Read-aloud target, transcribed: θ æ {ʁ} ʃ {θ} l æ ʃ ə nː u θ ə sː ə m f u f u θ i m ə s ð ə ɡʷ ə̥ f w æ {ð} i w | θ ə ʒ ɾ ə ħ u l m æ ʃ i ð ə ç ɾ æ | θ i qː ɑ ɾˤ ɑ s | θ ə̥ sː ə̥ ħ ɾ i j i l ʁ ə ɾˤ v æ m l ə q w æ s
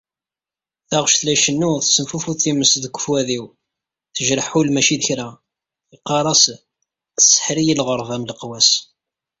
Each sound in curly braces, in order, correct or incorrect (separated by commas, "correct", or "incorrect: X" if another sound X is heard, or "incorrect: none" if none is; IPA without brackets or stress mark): correct, correct, correct